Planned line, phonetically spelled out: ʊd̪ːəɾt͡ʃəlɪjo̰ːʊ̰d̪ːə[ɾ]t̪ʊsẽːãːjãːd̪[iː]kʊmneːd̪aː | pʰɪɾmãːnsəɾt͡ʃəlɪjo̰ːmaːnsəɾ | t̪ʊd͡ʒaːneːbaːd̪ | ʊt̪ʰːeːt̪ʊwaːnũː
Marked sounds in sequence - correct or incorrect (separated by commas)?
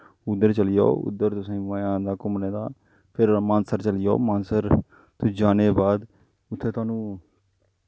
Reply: correct, incorrect